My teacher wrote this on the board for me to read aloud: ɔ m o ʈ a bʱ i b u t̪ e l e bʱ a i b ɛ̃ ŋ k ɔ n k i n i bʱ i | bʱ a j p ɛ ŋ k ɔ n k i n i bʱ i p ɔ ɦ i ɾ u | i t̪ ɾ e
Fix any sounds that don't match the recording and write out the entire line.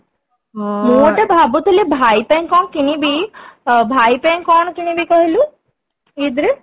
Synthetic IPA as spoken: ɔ m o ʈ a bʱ a b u t̪ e l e bʱ a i p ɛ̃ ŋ k ɔ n k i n i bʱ i | bʱ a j p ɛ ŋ k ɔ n k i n i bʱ i k ɔ ɦ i l u | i d̪ ɾ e